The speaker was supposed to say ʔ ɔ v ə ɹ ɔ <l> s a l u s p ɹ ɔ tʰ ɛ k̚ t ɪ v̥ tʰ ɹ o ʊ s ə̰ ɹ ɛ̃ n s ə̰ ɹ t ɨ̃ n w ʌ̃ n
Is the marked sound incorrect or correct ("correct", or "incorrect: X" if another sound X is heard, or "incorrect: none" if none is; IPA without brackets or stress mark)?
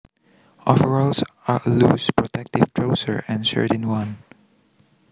correct